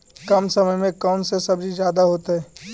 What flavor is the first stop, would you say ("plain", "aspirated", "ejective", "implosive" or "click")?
plain